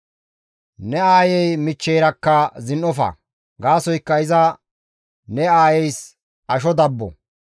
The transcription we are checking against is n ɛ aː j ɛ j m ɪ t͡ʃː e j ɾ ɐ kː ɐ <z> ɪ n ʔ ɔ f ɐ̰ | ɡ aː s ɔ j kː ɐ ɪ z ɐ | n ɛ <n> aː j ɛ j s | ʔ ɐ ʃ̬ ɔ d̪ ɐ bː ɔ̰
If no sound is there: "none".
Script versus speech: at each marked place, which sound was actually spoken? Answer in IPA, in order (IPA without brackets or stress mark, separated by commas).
z, none